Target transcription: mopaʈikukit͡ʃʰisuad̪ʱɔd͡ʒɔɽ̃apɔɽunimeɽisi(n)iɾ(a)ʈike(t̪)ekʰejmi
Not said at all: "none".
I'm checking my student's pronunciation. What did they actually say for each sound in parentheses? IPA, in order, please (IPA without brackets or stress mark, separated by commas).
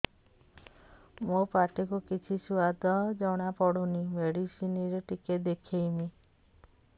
n, e, d̪